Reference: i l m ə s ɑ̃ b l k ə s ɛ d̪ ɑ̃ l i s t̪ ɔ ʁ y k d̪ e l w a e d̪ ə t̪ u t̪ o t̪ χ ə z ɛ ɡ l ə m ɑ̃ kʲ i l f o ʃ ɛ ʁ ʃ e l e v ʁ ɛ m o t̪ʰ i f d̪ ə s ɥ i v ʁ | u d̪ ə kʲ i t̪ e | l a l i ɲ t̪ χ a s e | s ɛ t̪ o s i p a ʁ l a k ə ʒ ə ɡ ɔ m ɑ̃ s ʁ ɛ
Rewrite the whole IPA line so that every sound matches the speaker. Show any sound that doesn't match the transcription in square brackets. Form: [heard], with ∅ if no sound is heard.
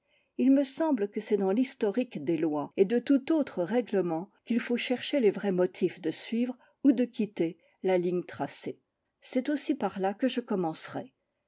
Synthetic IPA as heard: i l m ə s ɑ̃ b l k ə s ɛ d̪ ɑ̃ l i s t̪ ɔ ʁ [i] k d̪ e l w a e d̪ ə t̪ u t̪ o t̪ χ ə [ʁ] ɛ ɡ l ə m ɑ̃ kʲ i l f o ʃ ɛ ʁ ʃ e l e v ʁ ɛ m [ɔ] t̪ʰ i f d̪ ə s ɥ i v ʁ | u d̪ ə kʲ i t̪ e | l a l i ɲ t̪ χ a s e | s ɛ t̪ o s i p a ʁ l a k ə ʒ ə [k] ɔ m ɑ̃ s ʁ ɛ